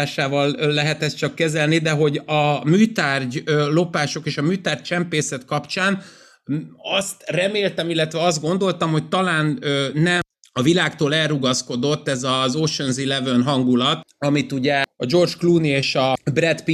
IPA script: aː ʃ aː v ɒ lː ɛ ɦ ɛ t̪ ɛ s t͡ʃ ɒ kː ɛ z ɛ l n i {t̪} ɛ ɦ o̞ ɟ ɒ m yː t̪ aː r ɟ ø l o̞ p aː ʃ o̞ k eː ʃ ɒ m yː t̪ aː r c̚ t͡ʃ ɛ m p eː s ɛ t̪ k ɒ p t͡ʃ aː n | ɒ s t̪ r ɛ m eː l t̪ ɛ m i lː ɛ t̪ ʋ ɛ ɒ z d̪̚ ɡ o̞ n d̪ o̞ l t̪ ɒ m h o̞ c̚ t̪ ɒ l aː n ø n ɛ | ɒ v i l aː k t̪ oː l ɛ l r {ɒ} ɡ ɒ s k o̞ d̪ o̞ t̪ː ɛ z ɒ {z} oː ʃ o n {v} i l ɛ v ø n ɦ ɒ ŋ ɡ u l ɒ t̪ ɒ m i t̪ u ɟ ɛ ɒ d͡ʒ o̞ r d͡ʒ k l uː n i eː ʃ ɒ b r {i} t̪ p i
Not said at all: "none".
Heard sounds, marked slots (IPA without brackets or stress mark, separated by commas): d̪, u, z, z, ɛ